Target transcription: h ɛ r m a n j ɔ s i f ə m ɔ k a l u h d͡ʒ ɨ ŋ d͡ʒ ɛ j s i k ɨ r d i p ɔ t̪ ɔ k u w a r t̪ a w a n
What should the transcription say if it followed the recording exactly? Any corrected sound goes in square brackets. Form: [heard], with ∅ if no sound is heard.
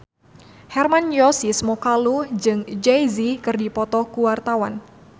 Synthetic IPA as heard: h ɛ r m a n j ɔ s i [s] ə m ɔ k a l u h d͡ʒ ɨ ŋ d͡ʒ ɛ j [z] i k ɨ r d i p ɔ t̪ ɔ k u w a r t̪ a w a n